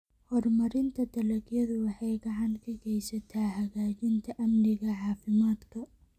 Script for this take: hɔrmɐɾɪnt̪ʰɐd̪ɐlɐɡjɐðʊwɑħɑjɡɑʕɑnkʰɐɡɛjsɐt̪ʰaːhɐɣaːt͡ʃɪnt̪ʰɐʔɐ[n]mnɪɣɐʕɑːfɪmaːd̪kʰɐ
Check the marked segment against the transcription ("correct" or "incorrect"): incorrect